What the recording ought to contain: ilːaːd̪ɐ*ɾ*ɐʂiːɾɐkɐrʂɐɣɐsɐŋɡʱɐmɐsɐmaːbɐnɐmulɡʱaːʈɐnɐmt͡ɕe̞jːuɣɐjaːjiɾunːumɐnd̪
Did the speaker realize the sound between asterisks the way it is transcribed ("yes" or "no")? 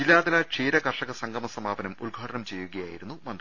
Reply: no